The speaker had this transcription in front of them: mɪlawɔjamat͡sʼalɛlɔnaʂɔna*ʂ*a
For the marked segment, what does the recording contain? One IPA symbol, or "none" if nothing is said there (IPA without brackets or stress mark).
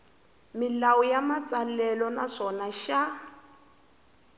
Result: ʃ